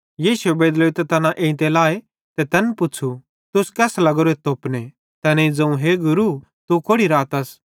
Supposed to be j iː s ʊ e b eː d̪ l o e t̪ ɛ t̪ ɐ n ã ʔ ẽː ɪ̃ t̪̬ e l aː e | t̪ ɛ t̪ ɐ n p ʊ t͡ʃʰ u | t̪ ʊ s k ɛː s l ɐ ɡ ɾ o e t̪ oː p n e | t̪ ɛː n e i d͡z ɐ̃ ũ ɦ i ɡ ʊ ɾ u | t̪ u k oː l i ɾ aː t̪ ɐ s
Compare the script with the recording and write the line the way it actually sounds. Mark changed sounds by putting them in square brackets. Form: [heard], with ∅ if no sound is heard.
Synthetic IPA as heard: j iː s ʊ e b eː d̪ l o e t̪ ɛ t̪ ɐ n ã ʔ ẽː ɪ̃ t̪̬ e l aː e | t̪ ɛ t̪ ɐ n p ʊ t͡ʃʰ u | t̪ ʊ s k ɛː s l ɐ ɡ ɾ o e t̪ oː p n e | t̪ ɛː n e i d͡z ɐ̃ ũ ɦ [e] ɡ ʊ ɾ u | t̪ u k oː [ɽ] i ɾ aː t̪ ɐ s